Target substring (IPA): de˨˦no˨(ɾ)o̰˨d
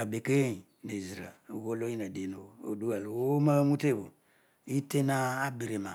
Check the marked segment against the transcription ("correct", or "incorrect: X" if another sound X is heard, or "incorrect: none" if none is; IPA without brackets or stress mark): incorrect: none